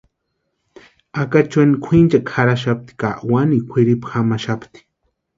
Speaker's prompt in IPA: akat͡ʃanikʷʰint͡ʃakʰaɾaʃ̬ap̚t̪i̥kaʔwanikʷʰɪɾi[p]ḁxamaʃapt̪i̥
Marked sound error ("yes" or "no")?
no